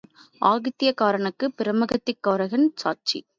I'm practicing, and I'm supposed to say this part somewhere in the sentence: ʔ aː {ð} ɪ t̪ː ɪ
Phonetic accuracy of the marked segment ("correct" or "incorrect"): incorrect